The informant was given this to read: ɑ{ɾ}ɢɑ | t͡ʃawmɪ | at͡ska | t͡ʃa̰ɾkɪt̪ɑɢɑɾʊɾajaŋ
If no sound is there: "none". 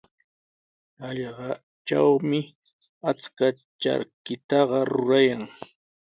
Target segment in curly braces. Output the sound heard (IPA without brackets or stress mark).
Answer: ʎ